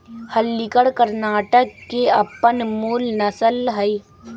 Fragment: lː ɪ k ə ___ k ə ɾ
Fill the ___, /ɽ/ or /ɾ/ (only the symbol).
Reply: ɽ